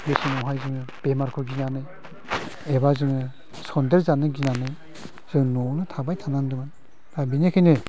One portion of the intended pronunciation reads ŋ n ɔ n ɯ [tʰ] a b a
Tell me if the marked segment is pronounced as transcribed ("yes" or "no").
yes